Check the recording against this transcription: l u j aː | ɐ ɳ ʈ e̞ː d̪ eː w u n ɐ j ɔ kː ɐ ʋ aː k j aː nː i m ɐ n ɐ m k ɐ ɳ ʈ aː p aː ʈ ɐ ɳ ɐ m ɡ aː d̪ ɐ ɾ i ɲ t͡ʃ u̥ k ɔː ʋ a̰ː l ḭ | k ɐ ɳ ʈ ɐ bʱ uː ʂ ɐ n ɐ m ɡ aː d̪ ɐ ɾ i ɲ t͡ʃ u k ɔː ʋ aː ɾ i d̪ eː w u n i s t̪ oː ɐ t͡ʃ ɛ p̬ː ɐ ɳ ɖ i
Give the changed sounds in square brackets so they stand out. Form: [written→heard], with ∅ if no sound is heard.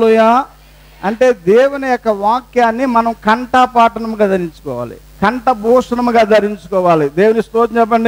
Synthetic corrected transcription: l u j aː | ɐ ɳ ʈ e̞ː d̪ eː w u n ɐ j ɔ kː ɐ ʋ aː k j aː nː i m ɐ n ɐ m k ɐ ɳ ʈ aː p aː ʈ ɐ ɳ ɐ m ɡ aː d̪ ɐ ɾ i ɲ t͡ʃ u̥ k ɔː ʋ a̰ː l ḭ | k ɐ ɳ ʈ ɐ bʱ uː ʂ ɐ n ɐ m ɡ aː d̪ ɐ ɾ i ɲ t͡ʃ u k ɔː ʋ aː [ɾ→l] i d̪ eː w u n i s t̪ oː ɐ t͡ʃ ɛ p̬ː ɐ ɳ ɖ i